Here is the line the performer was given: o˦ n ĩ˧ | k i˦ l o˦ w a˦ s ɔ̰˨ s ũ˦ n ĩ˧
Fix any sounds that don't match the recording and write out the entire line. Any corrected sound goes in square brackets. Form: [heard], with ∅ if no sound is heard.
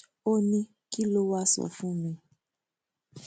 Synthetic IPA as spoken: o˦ n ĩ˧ | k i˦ l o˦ w a˦ s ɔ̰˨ [f] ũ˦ [m] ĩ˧